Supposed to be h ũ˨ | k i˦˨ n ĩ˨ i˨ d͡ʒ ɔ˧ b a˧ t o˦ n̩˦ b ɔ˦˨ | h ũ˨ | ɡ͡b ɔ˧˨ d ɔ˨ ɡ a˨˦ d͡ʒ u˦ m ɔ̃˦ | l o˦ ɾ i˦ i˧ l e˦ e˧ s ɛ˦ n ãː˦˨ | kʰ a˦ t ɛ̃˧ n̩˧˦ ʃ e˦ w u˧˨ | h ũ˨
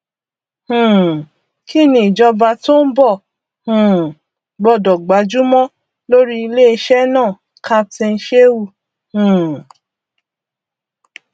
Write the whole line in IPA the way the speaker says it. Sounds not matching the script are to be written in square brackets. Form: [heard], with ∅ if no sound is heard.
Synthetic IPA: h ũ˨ | k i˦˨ n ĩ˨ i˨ d͡ʒ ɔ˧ b a˧ t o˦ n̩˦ b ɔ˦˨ | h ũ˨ | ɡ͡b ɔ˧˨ d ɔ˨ [ɡ͡b] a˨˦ d͡ʒ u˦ m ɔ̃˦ | l o˦ ɾ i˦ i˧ l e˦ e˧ [ʃ] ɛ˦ n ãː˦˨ | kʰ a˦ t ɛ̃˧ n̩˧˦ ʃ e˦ w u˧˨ | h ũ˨